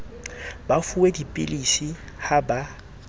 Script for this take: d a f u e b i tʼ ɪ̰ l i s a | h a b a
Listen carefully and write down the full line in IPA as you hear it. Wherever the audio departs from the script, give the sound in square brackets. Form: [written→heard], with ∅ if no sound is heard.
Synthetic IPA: [d→b] a f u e [b→d] i [tʼ→pʼ] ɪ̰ l i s [a→i] | h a b a